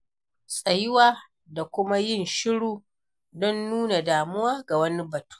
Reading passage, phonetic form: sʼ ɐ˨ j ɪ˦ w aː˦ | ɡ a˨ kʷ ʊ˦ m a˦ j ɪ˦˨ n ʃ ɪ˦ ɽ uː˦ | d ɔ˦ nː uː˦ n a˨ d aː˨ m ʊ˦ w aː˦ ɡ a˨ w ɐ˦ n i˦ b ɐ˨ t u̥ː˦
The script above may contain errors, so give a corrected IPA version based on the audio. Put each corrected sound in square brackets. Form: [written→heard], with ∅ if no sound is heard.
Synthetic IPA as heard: sʼ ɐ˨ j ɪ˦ w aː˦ | [ɡ→d] a˨ kʷ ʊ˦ m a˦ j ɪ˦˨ n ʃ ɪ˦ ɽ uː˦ | d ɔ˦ nː uː˦ n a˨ d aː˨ m ʊ˦ w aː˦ ɡ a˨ w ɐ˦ n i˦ b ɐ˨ t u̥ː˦